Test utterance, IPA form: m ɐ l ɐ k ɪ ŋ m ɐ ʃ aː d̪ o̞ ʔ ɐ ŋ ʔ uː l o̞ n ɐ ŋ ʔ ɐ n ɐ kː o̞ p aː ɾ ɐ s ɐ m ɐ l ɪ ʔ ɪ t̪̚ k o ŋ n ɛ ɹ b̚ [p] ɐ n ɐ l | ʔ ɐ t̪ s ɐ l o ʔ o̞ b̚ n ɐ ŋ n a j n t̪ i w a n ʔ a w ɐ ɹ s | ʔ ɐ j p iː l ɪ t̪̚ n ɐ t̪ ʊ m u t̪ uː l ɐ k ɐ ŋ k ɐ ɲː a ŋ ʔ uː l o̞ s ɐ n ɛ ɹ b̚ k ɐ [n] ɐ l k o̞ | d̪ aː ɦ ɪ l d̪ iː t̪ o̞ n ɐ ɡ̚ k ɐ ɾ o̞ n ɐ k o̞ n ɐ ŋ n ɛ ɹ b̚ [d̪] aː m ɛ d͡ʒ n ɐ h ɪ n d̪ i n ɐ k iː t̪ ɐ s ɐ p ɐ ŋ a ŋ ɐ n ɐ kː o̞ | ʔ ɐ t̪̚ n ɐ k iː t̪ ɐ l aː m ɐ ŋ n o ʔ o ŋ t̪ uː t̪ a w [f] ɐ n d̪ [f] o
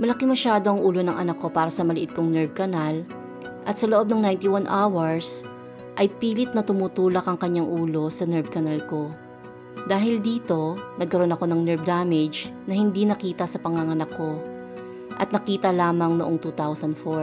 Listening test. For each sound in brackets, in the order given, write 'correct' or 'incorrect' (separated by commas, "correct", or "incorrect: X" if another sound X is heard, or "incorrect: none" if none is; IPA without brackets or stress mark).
incorrect: k, correct, correct, incorrect: s, correct